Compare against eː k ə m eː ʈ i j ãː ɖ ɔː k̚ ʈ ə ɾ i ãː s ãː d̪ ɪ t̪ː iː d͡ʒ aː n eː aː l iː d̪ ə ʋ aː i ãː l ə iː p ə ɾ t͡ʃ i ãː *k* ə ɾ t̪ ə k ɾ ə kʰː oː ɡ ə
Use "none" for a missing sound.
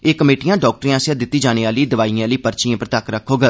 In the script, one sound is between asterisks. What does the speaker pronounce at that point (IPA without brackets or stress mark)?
p